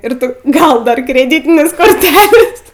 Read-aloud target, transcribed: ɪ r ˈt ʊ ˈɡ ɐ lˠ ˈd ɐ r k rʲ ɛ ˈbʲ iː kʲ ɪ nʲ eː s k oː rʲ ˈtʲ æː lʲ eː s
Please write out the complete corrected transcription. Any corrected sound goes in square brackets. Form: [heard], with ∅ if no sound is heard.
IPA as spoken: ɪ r ˈt ʊ ˈɡ ɐ lˠ ˈd ɐ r k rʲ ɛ [ˈdʲ] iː [tʲ] ɪ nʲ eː s k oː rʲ ˈtʲ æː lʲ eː s